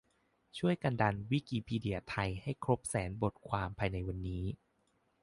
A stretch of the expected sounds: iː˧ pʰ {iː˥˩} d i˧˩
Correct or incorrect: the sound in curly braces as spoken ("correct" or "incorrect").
incorrect